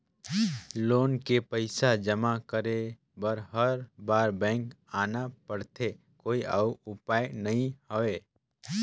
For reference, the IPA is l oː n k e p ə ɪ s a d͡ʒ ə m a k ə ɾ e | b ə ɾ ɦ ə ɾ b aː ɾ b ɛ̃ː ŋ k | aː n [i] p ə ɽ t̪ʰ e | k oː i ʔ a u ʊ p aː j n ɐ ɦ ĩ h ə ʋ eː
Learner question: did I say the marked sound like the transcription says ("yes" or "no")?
no